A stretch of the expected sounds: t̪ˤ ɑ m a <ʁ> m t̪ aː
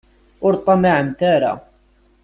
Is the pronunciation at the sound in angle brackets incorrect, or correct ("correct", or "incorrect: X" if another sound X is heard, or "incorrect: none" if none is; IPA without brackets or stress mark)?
incorrect: ʕ